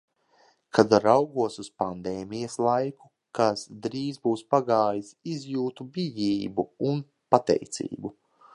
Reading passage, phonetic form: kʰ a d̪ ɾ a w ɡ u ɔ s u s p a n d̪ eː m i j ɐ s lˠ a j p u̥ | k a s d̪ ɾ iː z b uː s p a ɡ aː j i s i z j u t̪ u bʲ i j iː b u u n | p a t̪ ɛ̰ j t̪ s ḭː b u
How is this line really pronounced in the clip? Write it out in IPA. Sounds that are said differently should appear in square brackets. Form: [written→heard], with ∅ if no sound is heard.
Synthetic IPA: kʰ a d̪ ɾ a w ɡ u ɔ s u s p a n d̪ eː m i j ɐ s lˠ a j [p→k] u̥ | k a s d̪ ɾ iː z b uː s p a ɡ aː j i s i z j [u→uː] t̪ u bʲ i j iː b u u n | p a t̪ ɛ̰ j t̪ s ḭː b u

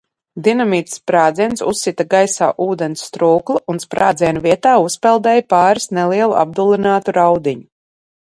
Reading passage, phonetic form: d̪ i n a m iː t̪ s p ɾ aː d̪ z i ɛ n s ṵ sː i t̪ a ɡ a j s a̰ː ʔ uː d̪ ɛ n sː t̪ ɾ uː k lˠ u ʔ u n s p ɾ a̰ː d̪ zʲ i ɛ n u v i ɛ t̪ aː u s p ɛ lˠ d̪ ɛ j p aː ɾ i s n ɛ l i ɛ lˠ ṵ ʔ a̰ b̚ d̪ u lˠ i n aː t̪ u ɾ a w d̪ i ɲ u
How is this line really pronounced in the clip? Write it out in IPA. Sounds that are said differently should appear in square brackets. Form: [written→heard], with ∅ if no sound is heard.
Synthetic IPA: d̪ i n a m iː t̪ s p ɾ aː d̪ z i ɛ n s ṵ sː i t̪ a ɡ a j s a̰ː ʔ uː d̪ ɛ n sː t̪ ɾ uː k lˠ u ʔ u n s p ɾ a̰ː d̪ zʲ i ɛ n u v i ɛ t̪ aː u s p ɛ lˠ d̪ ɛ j p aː ɾ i s n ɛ l i ɛ lˠ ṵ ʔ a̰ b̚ d̪ u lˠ i n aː t̪ u ɾ a w d̪ i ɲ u

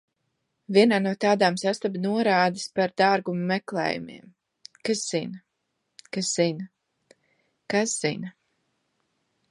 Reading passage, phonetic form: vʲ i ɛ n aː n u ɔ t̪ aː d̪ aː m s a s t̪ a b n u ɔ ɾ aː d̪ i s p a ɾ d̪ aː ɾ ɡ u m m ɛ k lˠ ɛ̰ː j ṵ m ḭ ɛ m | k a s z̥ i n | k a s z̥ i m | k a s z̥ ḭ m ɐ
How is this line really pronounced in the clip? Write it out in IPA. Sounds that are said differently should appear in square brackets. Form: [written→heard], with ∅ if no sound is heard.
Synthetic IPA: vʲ i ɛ n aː n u ɔ t̪ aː d̪ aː m s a s t̪ a b n u ɔ ɾ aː d̪ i s p a ɾ d̪ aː ɾ ɡ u m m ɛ k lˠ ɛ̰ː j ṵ m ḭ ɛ m | k a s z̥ i n | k a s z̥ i [m→n] | k a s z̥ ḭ [m→n] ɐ

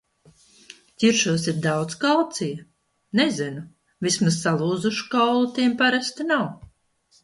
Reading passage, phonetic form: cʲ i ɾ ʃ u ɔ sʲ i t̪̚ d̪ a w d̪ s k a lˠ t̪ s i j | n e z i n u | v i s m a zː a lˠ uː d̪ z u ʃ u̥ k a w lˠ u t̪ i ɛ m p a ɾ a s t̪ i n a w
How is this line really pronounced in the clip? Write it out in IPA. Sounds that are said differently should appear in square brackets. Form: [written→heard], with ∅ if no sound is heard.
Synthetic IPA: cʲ i ɾ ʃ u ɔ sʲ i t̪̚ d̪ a w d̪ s k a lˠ t̪ s i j | n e z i n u | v i s m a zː a lˠ uː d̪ z u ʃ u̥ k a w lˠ u t̪ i ɛ m p a ɾ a s t̪ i n a w

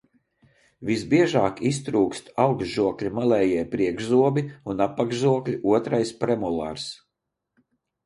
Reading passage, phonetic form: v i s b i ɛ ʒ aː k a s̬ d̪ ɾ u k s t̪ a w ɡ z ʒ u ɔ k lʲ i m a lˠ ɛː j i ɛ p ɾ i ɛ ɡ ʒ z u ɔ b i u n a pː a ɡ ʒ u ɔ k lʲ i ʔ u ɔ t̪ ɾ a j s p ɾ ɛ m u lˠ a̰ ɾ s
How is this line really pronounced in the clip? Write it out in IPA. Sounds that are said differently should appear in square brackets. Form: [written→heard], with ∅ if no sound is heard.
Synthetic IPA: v i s b i ɛ ʒ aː k [a→i] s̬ [d̪→t̪] ɾ [u→uː] k s t̪ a w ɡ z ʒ u ɔ k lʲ i m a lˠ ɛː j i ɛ p ɾ i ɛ ɡ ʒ z u ɔ b i u n a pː a ɡ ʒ u ɔ k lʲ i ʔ u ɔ t̪ ɾ a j s p ɾ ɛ m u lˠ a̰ ɾ s

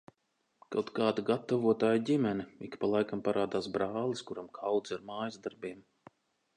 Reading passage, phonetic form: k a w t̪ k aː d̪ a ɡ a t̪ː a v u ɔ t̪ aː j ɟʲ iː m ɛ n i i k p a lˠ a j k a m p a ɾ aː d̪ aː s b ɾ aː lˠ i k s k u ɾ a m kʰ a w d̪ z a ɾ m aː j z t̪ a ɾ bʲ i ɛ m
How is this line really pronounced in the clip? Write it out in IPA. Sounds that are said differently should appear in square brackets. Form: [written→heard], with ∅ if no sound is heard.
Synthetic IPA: k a w t̪ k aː d̪ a ɡ a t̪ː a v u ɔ t̪ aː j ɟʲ [iː→i] m ɛ n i i k p a lˠ a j k a m p a ɾ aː d̪ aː s b ɾ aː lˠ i [k→∅] s k u ɾ a m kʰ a w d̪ z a ɾ m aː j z [t̪→d̪] a ɾ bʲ i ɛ m

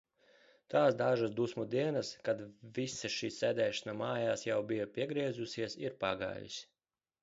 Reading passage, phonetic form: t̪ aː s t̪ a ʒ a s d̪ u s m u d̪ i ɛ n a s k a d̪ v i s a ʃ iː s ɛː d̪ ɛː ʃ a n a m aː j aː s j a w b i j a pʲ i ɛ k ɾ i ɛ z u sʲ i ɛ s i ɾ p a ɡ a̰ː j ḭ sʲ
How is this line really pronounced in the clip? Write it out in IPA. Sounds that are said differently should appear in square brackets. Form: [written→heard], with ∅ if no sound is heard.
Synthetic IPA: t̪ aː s [t̪→d̪] a ʒ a s d̪ u s m u d̪ i ɛ n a s k a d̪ v i s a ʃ iː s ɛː d̪ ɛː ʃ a n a m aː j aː s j a w b i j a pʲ i ɛ [k→ɡ] ɾ i ɛ z u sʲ i ɛ s i ɾ p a ɡ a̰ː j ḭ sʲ

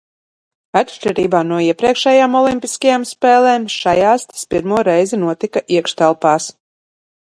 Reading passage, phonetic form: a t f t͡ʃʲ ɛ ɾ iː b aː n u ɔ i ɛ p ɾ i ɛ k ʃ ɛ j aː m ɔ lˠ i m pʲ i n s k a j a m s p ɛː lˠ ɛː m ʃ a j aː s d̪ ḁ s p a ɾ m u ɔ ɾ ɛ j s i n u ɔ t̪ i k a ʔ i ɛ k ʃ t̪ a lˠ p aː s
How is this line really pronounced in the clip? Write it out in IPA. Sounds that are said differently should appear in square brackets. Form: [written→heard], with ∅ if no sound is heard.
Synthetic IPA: a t [f→ʃ] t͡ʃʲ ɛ ɾ iː b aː n u ɔ i ɛ p ɾ i ɛ k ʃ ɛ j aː m ɔ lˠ i m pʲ i [n→∅] s k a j a m s p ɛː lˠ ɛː m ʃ a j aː s [d̪→t̪] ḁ s p [a→i] ɾ m u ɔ ɾ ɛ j [s→z] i n u ɔ t̪ i k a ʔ i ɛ k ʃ t̪ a lˠ p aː s

